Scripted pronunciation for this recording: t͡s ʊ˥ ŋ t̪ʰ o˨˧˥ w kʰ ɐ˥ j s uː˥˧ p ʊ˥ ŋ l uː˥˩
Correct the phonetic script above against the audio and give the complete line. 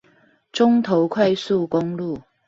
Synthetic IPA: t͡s ʊ˥ ŋ t̪ʰ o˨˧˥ w kʰ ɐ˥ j s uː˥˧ k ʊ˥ ŋ l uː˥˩